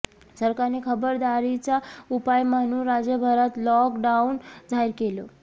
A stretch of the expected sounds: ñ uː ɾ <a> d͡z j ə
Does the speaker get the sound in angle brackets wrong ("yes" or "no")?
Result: no